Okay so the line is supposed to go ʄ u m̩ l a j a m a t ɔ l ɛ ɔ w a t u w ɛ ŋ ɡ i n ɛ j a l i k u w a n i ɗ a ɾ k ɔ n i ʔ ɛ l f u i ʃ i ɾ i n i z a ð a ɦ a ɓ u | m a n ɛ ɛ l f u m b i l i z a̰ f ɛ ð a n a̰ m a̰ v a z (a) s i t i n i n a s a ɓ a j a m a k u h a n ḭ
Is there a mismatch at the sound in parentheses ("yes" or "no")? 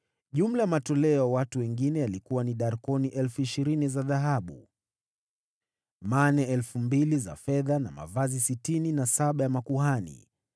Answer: yes